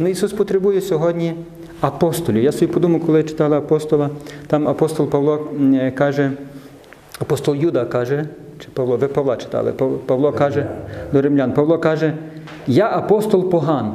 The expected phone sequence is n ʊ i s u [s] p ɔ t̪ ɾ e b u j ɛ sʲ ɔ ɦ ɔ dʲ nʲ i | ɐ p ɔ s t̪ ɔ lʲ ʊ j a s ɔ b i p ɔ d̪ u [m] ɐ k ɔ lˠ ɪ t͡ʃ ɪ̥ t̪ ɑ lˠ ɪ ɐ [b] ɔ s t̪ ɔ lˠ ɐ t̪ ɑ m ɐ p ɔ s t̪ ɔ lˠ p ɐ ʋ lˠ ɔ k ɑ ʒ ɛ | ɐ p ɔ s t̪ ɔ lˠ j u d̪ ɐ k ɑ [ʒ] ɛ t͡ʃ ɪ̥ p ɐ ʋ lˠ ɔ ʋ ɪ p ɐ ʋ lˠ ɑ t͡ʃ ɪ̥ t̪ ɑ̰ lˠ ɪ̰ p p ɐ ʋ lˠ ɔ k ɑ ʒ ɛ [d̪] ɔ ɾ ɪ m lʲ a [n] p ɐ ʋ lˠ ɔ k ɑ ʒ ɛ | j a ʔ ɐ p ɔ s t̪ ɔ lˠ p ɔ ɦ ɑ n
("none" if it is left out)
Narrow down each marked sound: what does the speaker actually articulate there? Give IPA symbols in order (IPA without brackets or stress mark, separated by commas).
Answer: s, m, p, ʒ, d̪, n